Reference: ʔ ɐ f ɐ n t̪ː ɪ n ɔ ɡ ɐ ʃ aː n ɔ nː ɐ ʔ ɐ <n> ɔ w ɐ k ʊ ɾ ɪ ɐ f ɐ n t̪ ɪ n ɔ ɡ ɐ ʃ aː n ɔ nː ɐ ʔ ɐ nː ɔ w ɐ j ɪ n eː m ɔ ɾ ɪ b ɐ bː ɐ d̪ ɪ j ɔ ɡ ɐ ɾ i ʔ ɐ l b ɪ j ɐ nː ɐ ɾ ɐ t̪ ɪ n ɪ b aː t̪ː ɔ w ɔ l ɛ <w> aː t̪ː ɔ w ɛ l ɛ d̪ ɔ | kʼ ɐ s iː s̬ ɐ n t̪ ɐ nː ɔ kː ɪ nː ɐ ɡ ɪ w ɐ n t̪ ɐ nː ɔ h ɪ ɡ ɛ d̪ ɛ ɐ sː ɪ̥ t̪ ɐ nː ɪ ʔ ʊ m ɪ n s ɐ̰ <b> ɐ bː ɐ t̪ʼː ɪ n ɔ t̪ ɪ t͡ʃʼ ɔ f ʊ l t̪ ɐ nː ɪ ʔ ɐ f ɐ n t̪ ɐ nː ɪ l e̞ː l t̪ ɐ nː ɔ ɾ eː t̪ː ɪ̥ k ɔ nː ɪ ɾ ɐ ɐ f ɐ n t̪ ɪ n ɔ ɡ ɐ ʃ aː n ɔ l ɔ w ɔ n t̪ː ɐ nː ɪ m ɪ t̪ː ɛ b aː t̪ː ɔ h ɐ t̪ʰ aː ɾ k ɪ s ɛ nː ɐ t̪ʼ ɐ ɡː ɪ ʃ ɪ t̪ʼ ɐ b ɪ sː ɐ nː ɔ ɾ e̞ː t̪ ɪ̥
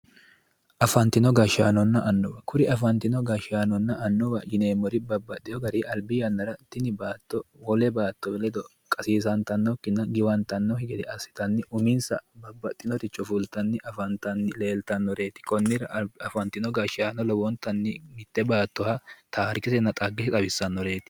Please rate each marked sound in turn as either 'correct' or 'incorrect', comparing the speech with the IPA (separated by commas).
incorrect, incorrect, correct